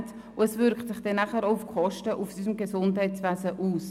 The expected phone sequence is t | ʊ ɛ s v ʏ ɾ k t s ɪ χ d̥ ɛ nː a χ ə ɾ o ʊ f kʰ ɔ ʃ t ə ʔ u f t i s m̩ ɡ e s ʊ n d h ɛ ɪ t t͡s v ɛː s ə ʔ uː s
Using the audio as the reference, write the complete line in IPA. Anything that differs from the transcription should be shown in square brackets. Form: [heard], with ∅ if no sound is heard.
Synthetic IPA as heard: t | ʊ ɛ s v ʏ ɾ k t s ɪ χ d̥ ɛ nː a χ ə ɾ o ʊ f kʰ ɔ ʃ t ə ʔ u f [s] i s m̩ ɡ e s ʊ n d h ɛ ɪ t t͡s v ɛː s ə ʔ uː s